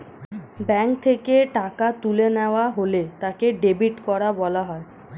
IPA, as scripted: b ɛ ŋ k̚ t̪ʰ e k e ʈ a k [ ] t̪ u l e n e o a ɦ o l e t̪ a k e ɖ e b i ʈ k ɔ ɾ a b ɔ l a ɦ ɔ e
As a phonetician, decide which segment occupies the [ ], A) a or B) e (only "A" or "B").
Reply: A